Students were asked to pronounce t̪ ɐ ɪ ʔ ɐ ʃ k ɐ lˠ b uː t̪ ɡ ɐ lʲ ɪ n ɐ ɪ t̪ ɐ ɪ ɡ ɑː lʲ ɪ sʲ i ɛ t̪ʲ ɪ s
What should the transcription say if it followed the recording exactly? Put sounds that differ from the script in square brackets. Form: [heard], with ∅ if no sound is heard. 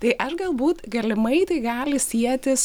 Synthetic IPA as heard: t̪ ɐ ɪ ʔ ɐ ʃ [ɡ] ɐ lˠ b uː t̪ ɡ ɐ lʲ ɪ [m] ɐ ɪ t̪ ɐ ɪ ɡ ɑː lʲ ɪ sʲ i ɛ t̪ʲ ɪ s